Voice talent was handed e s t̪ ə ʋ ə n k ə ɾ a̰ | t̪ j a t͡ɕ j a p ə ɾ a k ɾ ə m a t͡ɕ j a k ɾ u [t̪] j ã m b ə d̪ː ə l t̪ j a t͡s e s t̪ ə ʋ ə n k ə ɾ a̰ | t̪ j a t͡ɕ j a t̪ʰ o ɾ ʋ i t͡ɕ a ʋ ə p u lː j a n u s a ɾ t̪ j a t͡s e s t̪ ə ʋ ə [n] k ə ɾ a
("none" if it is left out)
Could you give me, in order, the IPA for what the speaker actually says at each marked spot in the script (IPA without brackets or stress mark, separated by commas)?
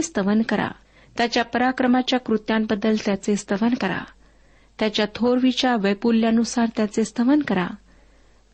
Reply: t̪, n